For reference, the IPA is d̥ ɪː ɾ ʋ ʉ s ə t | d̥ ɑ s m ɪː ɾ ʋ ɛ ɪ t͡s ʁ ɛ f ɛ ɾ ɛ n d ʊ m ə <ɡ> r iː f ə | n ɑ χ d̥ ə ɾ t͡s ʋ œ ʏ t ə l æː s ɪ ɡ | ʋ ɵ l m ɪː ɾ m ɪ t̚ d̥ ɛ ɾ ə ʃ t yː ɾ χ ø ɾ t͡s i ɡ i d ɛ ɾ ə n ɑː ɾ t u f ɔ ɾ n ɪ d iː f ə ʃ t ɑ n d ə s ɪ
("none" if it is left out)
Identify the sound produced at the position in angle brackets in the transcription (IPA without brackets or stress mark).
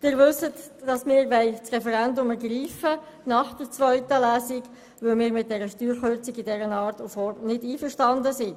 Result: ɡ